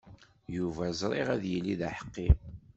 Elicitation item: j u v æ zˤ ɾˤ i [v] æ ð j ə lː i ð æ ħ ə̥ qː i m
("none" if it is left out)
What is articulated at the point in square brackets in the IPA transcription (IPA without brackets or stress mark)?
ʁ